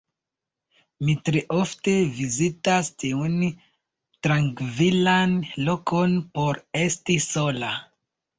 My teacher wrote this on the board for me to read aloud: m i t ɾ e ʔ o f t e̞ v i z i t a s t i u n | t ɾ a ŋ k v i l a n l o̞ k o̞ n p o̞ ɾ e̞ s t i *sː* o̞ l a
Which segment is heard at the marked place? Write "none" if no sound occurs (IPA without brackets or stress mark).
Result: s